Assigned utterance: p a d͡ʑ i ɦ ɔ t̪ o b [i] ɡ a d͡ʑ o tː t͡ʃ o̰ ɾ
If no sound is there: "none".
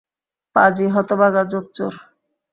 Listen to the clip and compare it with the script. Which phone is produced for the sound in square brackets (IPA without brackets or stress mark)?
a